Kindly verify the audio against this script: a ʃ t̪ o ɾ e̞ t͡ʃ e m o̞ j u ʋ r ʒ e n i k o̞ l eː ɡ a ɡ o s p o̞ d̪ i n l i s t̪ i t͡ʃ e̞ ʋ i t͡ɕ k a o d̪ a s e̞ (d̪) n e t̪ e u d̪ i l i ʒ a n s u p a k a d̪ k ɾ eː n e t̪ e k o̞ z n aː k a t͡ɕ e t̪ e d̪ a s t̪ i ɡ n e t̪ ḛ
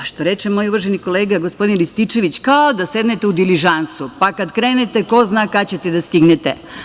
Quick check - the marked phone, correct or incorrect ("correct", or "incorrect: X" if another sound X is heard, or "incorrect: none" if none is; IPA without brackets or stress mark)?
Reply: correct